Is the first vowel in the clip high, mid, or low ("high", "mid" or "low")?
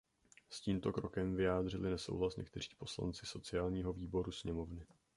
high